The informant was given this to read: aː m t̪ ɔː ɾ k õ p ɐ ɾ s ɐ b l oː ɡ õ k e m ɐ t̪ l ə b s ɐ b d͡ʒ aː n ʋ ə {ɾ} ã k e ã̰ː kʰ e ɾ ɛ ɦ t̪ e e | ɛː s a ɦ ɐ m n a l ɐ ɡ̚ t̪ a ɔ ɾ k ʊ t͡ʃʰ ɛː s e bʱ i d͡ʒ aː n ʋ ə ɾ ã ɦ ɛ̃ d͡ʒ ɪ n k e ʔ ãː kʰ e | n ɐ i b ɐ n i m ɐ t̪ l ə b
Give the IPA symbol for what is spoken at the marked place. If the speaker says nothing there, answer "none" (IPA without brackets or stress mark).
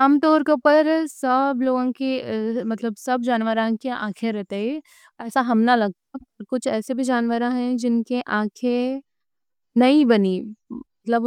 ɾ